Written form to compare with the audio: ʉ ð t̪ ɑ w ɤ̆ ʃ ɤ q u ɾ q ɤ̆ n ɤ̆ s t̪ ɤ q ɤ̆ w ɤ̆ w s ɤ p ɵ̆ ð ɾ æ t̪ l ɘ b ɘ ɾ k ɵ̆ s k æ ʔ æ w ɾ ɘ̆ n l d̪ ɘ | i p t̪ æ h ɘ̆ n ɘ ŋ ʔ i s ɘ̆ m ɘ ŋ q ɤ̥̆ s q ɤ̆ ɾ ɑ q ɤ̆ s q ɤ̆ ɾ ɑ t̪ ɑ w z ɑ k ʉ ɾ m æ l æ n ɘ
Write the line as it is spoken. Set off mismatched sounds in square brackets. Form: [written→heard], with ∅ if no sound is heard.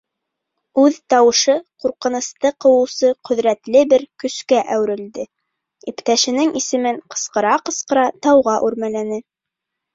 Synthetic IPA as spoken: ʉ ð t̪ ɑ w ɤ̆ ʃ ɤ q u ɾ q ɤ̆ n ɤ̆ s t̪ ɤ q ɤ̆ w ɤ̆ w s ɤ [p→q] ɵ̆ ð ɾ æ t̪ l ɘ b ɘ ɾ k ɵ̆ s k æ ʔ æ w ɾ ɘ̆ [n→∅] l d̪ ɘ | i p t̪ æ [h→ʃ] ɘ̆ n ɘ ŋ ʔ i s ɘ̆ m ɘ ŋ q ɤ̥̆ s q ɤ̆ ɾ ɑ q ɤ̆ s q ɤ̆ ɾ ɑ t̪ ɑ w [z→ʁ] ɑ [k→ʔ] ʉ ɾ m æ l æ n ɘ